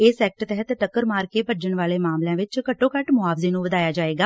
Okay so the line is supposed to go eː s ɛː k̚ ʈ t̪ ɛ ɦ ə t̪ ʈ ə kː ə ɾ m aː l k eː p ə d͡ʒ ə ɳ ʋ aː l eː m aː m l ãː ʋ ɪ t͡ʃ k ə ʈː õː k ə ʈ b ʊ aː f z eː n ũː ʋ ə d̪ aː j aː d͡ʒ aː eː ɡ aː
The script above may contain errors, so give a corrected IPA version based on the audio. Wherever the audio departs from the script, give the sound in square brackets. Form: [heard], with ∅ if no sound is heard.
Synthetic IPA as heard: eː s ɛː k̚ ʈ t̪ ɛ ɦ ə t̪ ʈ ə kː ə ɾ m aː [ɾ] k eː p ə d͡ʒ ə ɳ ʋ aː l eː m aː m l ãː ʋ ɪ t͡ʃ k ə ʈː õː k ə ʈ [m] ʊ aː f z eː n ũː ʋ ə d̪ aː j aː d͡ʒ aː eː ɡ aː